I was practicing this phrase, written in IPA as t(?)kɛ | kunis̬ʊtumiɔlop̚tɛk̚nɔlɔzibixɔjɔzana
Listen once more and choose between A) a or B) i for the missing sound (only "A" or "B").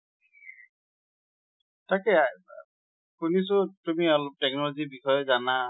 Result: A